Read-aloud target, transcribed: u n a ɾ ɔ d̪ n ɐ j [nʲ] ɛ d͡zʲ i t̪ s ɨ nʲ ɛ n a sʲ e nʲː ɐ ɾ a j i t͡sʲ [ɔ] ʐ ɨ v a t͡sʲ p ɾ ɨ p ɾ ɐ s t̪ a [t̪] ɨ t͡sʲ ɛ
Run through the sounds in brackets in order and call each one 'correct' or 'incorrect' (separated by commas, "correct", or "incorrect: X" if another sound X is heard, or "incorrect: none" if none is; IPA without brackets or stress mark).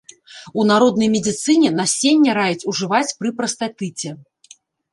incorrect: mʲ, incorrect: u, correct